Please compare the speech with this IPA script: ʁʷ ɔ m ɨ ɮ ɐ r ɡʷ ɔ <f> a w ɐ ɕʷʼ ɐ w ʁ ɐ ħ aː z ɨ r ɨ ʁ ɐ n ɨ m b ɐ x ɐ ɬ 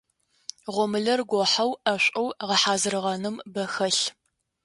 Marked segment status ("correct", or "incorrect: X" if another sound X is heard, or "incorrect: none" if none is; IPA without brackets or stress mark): incorrect: ħ